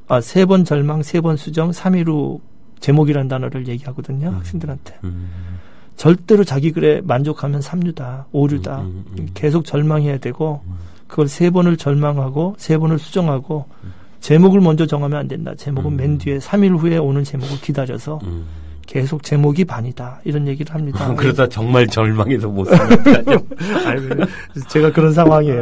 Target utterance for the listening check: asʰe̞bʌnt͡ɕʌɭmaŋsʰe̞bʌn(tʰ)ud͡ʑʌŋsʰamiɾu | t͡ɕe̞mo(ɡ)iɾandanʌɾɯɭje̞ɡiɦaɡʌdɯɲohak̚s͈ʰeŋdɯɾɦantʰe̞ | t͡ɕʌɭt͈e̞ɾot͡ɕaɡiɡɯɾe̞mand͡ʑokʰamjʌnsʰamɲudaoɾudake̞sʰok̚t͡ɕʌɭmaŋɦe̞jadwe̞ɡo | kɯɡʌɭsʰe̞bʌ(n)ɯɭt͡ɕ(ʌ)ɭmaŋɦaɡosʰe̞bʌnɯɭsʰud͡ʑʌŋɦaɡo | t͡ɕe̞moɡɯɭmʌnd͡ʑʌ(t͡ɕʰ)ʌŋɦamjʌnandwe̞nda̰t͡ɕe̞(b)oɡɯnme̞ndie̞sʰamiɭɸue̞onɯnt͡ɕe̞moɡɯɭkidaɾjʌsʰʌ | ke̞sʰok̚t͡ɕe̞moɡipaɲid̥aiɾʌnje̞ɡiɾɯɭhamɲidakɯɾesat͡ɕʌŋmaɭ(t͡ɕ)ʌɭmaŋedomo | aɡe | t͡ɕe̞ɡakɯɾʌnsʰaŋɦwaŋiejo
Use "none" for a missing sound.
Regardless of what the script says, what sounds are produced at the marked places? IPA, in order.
sʰ, ɡ, n, ʌ, t͡ɕ, m, t͡ɕ

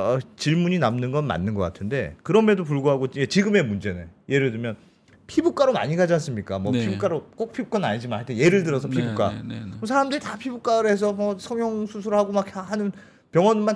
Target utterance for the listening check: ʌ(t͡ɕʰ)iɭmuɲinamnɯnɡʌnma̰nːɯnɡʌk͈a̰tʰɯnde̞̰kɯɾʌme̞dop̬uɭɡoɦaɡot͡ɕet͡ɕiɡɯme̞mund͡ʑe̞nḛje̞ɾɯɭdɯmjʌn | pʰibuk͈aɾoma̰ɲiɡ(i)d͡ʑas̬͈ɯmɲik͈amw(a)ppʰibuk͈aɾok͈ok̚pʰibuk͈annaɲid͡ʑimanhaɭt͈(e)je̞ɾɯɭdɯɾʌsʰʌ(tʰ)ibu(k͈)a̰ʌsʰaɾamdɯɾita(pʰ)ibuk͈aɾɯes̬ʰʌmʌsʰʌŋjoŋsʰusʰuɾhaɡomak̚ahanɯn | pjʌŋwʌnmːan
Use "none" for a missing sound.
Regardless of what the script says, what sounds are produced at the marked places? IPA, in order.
t͡ɕ, a, ʌ, e, pʰ, k͈, pʰ

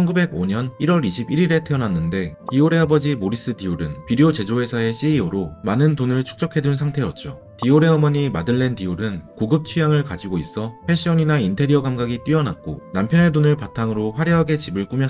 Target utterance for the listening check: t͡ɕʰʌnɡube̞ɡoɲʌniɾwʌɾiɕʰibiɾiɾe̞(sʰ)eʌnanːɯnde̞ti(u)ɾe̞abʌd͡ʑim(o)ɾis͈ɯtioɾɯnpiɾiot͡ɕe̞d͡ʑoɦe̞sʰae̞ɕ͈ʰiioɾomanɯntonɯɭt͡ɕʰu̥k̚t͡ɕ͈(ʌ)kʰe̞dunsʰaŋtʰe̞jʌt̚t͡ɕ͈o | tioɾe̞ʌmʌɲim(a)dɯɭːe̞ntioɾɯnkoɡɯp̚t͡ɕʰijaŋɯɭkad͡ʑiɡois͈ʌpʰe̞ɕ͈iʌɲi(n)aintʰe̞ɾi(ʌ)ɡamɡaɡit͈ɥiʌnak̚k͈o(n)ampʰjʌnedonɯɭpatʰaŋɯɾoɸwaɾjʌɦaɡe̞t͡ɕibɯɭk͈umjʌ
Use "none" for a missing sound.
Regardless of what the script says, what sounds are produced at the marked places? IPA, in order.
tʰ, o, o, ʌ, a, n, ʌ, n

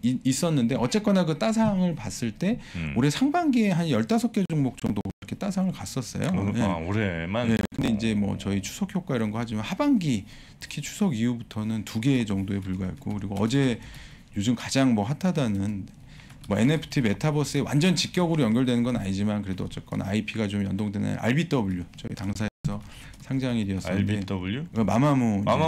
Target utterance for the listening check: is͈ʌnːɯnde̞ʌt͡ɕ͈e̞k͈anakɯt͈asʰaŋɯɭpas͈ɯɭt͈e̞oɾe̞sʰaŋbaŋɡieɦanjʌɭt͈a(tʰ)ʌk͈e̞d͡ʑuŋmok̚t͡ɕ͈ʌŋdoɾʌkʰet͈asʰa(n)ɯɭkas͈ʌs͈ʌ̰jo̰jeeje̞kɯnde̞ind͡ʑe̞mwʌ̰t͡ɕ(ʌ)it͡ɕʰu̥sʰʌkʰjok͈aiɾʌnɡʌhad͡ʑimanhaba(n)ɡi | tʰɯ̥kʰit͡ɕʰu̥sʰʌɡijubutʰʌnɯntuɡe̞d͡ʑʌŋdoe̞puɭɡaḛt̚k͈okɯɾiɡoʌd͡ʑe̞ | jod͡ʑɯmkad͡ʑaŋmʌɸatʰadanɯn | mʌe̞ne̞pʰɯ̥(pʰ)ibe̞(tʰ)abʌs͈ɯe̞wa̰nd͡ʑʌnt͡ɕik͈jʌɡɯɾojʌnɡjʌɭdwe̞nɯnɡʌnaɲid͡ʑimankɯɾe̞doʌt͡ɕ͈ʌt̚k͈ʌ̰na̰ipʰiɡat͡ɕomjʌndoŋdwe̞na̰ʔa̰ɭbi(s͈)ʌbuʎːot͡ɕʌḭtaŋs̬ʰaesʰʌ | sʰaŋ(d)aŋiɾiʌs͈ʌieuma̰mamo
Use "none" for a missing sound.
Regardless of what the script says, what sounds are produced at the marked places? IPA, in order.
sʰ, ŋ, ʌ, ŋ, tʰ, tʰ, t͈, d͡ʑ

